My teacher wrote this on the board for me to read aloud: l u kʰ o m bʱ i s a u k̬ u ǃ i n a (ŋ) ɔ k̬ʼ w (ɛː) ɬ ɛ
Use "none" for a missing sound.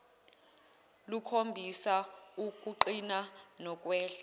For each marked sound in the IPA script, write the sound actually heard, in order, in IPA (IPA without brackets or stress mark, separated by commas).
n, ɛː